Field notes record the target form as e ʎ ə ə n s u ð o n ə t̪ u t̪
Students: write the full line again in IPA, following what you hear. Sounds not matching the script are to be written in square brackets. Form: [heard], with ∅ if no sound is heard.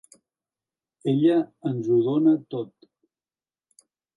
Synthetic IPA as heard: e ʎ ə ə n [z] u ð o n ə t̪ [o] t̪